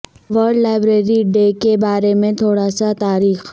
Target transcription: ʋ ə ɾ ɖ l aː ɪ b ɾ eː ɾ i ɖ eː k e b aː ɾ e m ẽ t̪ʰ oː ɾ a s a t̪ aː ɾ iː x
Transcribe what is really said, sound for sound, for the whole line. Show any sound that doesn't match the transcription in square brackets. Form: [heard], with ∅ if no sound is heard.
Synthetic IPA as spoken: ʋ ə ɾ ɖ l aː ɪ b ɾ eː ɾ i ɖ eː k e b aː ɾ e m ẽ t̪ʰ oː [ɽ] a s a t̪ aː ɾ iː x